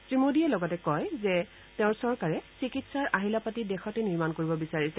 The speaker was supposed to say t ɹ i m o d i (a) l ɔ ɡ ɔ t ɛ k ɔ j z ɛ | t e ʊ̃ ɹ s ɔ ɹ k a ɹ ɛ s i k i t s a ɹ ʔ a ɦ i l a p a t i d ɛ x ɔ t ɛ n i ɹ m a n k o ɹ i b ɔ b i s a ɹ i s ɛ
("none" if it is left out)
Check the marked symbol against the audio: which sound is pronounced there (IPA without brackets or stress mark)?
ɛ